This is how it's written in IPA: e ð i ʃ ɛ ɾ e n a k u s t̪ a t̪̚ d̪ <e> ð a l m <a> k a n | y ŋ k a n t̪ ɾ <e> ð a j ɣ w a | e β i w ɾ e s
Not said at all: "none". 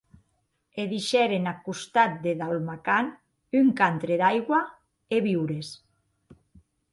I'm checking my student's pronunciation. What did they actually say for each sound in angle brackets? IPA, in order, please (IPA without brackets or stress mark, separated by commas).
e, a, e